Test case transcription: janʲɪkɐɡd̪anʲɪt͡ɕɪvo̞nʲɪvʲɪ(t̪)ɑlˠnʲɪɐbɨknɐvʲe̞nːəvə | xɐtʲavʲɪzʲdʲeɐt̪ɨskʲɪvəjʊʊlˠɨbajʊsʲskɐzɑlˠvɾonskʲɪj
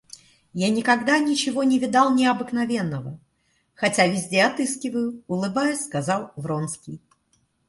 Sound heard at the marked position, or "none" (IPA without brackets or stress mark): d̪